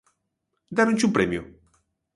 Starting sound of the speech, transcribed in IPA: d̪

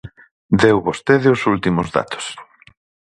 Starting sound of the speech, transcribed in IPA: d̪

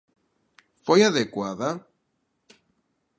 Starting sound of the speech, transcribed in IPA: f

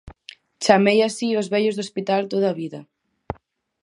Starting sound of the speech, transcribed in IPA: t͡ʃ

